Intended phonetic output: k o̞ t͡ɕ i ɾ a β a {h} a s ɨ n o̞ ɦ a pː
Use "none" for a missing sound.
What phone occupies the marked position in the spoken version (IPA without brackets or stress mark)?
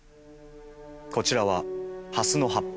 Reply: h